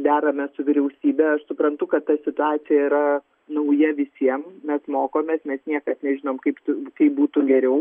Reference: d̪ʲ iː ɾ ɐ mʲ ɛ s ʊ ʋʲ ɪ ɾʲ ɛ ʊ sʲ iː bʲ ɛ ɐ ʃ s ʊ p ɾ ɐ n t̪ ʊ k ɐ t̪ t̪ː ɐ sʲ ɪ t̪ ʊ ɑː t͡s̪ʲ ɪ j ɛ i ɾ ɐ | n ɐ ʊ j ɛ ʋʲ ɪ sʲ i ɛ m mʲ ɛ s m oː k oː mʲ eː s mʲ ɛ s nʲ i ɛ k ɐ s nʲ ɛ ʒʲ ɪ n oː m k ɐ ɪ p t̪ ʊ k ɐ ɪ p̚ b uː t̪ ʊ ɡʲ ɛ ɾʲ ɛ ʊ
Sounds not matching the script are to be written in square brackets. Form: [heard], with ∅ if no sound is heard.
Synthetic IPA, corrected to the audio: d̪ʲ [æː] ɾ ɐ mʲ ɛ s ʊ ʋʲ ɪ ɾʲ ɛ ʊ sʲ iː bʲ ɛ ɐ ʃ s ʊ p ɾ ɐ n t̪ ʊ k ɐ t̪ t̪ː ɐ sʲ ɪ t̪ ʊ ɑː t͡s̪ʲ ɪ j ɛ i ɾ ɐ | n ɐ ʊ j ɛ ʋʲ ɪ sʲ i ɛ m mʲ ɛ s m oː k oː mʲ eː s mʲ ɛ s nʲ i ɛ k ɐ s nʲ ɛ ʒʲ ɪ n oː m k ɐ ɪ p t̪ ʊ k ɐ ɪ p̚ b uː t̪ ʊ ɡʲ ɛ ɾʲ ɛ ʊ